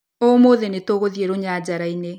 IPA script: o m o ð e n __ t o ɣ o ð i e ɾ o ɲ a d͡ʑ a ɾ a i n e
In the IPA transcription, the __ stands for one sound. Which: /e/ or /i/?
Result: e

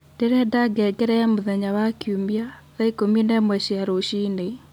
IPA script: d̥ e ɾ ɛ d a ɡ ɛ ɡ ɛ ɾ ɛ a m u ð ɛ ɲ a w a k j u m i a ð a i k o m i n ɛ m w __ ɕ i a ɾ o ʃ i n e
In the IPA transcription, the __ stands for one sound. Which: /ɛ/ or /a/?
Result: ɛ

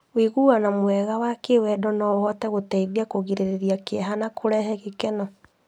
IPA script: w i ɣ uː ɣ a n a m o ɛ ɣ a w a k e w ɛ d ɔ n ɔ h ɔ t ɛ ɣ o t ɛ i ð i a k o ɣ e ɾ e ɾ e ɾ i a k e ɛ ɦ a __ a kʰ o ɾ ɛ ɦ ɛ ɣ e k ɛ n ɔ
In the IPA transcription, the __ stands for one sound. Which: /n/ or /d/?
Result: n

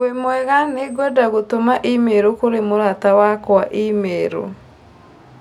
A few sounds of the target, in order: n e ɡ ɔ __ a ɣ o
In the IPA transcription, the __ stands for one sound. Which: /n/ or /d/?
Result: d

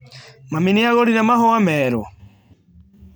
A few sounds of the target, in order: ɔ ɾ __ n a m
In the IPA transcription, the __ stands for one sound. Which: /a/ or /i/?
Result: i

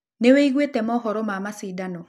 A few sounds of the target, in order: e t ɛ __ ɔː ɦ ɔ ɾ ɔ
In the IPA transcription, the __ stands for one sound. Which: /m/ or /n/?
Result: m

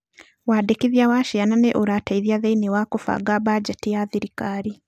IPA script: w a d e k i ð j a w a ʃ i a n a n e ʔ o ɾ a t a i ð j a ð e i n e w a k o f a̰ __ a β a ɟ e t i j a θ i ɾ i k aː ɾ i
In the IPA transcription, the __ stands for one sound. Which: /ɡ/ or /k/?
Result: ɡ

